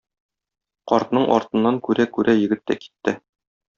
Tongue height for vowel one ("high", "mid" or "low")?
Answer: low